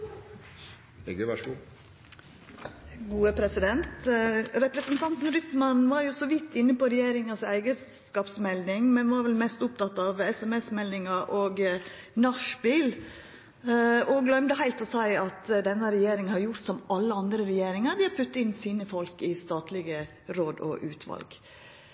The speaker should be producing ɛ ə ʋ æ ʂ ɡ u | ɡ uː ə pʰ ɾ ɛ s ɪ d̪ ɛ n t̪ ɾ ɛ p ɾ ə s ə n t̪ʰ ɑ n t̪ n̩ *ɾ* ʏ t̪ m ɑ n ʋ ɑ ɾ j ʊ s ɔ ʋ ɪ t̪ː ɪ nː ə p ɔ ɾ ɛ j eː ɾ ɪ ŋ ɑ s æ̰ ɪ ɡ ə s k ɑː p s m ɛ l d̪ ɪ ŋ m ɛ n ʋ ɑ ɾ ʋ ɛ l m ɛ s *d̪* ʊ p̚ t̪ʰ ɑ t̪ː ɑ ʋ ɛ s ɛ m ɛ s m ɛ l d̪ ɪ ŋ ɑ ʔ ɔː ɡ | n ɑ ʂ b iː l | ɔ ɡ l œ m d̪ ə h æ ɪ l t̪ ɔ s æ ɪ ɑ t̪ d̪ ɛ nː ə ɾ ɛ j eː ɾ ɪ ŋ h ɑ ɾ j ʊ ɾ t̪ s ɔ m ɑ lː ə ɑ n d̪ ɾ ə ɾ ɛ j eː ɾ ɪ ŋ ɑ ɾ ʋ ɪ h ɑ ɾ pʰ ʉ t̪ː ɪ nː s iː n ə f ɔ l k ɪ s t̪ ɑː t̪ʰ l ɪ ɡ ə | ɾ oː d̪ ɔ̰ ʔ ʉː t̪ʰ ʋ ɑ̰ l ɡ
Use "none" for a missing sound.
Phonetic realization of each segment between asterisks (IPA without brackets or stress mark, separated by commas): ɾ, t̪